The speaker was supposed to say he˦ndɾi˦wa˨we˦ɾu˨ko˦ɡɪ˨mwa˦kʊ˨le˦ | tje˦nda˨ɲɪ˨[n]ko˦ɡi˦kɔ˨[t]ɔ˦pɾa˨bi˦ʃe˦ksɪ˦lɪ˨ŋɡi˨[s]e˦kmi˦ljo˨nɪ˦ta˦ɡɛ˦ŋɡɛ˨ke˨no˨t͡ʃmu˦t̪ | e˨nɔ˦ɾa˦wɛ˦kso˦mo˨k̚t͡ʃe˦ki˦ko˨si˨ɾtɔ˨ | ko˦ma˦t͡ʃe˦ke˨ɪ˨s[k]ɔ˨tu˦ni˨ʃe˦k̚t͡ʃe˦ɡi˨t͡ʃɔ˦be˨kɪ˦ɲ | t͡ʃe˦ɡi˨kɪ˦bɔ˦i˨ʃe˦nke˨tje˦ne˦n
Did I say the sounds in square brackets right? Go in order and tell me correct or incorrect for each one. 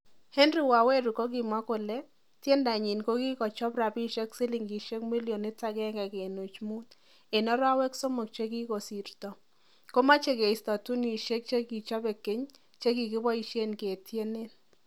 correct, incorrect: t͡ʃ, incorrect: ʃ, incorrect: t

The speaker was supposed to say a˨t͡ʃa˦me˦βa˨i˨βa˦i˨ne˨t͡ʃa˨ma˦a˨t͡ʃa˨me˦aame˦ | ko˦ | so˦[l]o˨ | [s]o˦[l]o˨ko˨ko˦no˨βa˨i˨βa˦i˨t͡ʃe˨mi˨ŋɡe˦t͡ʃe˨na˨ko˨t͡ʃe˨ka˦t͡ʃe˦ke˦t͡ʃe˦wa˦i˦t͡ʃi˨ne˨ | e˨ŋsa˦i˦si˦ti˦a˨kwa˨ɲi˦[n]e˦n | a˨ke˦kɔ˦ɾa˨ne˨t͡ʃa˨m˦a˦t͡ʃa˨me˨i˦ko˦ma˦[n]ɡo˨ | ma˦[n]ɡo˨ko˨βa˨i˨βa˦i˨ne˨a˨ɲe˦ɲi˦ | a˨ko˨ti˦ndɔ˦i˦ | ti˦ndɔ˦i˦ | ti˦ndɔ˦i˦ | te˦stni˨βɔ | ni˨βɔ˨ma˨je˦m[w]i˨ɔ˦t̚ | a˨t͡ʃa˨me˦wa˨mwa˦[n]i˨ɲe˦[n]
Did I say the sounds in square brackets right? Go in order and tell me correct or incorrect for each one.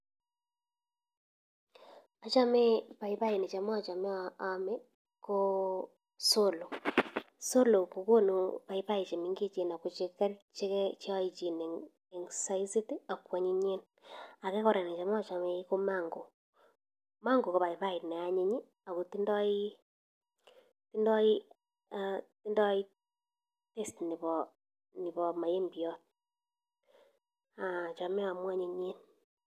correct, correct, correct, incorrect: ɲ, incorrect: ŋ, incorrect: ŋ, incorrect: b, incorrect: ɲ, correct

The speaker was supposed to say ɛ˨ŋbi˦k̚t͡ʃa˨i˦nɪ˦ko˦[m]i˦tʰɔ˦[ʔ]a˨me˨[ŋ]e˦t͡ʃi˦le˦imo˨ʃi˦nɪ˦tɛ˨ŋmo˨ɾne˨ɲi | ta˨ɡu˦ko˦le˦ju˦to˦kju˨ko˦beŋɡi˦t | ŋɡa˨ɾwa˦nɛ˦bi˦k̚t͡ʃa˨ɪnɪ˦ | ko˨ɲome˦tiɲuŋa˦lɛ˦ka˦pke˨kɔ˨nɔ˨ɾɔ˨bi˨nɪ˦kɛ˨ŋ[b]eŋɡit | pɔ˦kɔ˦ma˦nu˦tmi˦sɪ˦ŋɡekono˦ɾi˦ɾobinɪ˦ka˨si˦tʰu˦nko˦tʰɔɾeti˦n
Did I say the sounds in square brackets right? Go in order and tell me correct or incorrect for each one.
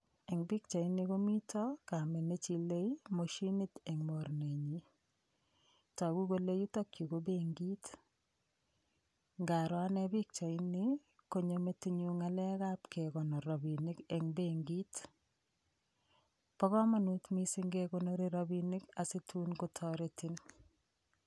correct, incorrect: k, incorrect: n, correct

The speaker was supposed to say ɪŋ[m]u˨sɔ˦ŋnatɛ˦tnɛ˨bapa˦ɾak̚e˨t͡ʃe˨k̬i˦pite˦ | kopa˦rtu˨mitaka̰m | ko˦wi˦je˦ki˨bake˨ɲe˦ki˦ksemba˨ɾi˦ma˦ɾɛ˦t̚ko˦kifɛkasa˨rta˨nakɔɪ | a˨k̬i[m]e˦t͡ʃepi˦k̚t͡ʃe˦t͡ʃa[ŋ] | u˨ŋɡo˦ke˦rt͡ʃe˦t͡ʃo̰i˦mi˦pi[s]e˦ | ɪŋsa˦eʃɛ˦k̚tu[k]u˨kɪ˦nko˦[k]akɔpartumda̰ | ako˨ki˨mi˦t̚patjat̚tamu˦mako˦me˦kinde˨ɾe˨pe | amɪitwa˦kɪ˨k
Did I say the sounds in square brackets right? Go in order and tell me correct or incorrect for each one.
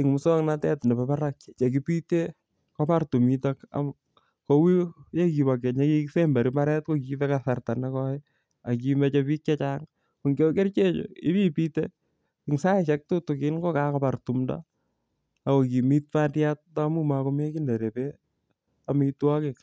correct, correct, correct, incorrect: t, incorrect: t, correct

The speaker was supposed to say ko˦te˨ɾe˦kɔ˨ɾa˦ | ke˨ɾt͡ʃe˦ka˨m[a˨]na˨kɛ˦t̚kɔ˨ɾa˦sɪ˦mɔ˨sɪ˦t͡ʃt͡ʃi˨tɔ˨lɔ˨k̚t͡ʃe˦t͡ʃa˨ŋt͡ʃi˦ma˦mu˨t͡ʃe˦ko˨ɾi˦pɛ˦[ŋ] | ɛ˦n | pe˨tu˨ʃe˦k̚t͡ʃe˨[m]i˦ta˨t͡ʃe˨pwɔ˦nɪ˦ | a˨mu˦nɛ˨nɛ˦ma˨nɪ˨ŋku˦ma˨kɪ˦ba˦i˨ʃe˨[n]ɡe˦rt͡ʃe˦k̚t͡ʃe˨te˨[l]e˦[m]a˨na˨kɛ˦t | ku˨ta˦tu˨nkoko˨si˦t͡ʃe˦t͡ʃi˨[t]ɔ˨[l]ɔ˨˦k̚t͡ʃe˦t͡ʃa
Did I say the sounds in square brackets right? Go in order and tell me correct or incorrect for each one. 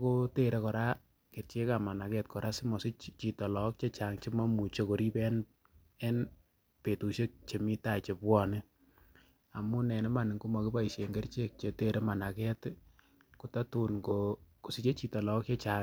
correct, incorrect: n, correct, incorrect: ŋ, incorrect: ɾ, correct, correct, correct

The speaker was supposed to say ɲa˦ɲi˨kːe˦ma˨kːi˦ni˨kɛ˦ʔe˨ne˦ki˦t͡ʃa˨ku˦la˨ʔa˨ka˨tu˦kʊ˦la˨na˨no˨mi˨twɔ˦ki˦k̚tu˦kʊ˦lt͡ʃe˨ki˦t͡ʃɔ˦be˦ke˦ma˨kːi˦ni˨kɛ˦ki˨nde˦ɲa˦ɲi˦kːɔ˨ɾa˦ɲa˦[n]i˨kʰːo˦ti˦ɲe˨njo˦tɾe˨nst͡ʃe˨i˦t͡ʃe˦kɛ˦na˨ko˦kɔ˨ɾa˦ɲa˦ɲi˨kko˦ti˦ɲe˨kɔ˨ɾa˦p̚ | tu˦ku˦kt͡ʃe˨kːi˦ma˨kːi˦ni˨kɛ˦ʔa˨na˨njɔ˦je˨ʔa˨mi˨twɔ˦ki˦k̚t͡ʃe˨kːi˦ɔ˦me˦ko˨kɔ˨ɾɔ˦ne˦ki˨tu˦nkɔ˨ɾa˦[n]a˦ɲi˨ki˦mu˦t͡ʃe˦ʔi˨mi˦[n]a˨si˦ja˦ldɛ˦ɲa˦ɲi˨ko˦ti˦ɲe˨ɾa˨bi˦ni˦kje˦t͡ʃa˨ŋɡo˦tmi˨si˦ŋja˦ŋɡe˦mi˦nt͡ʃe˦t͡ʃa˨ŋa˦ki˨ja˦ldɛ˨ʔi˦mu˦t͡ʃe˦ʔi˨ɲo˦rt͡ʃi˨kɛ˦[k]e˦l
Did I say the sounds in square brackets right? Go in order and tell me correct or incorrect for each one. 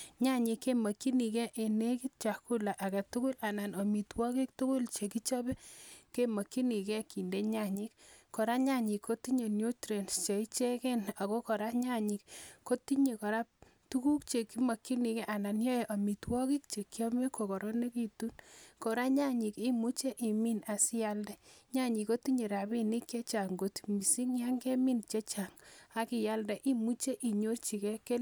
incorrect: ɲ, incorrect: ɲ, correct, correct

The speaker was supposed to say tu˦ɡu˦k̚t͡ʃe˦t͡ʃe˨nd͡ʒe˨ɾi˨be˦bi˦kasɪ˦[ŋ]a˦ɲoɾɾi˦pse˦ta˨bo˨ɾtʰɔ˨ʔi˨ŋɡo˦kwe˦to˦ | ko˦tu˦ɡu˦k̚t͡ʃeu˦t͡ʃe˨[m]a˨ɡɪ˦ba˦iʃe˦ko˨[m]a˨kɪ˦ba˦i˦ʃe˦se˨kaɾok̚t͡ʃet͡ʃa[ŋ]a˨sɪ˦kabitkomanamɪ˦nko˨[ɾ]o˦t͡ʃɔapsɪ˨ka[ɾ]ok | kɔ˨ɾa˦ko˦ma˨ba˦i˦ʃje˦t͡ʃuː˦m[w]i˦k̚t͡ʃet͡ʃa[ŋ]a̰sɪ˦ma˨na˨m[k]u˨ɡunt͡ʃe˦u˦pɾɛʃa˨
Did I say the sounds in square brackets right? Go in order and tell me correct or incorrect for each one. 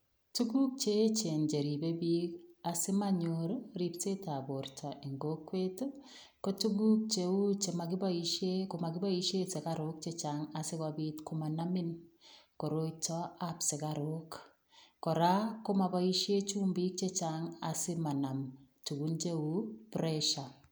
incorrect: m, correct, correct, correct, correct, correct, incorrect: b, correct, incorrect: t

